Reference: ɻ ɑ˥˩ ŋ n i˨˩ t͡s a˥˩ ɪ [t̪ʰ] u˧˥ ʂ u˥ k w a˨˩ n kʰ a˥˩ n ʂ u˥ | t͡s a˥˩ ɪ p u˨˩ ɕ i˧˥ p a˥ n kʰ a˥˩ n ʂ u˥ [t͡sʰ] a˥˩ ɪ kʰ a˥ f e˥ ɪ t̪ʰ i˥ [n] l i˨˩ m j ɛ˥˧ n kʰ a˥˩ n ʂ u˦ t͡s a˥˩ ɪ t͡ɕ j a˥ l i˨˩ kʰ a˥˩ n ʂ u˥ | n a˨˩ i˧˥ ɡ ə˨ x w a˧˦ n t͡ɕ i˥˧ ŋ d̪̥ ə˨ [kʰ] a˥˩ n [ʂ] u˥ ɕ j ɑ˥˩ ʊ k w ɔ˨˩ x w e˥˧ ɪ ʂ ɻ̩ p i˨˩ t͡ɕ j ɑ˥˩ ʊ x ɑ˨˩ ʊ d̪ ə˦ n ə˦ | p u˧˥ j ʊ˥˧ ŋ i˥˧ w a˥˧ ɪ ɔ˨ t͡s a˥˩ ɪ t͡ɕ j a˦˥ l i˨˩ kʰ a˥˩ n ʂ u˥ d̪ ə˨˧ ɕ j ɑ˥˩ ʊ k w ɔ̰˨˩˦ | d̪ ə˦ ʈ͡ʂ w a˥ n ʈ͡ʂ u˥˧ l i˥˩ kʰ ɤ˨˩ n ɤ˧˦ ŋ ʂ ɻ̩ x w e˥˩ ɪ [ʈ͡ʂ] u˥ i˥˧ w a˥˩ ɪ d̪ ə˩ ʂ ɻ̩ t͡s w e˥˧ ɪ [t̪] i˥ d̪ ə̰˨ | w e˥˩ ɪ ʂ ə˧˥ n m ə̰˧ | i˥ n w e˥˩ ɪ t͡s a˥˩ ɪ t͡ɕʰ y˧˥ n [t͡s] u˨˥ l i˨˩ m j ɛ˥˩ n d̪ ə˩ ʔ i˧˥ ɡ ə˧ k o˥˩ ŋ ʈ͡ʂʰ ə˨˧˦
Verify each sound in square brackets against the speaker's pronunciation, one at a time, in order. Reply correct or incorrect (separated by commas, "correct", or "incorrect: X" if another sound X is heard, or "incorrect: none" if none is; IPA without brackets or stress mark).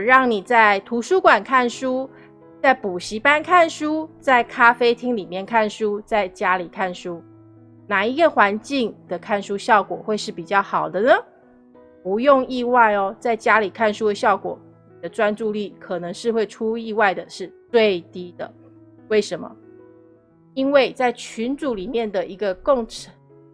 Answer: correct, incorrect: t͡s, incorrect: ŋ, correct, correct, incorrect: ʈ͡ʂʰ, correct, correct